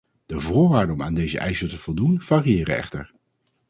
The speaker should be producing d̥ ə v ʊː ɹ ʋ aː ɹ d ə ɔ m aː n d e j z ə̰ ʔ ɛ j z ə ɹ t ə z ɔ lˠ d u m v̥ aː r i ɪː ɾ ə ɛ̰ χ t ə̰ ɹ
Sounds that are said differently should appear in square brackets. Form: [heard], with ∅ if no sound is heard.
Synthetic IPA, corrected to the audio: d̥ ə v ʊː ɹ ʋ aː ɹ d ə ɔ m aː n d e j z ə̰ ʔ ɛ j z ə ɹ t ə [v] ɔ lˠ d u [n] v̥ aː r i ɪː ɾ ə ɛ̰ χ t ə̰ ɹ